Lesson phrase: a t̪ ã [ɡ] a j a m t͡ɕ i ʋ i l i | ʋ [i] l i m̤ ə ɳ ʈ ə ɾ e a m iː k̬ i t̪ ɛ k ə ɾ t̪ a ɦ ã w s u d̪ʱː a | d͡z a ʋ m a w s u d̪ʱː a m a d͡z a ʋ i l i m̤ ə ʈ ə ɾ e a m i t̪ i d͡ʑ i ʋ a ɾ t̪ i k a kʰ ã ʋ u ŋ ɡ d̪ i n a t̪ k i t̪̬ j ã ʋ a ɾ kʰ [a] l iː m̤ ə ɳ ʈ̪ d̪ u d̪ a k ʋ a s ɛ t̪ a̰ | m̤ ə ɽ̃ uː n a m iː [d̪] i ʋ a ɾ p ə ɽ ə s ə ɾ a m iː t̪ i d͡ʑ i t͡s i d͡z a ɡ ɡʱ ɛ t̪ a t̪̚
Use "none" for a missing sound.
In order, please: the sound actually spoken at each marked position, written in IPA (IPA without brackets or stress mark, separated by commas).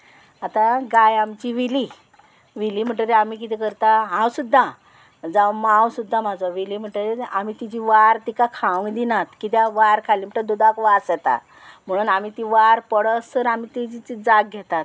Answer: ɡ, i, a, t̪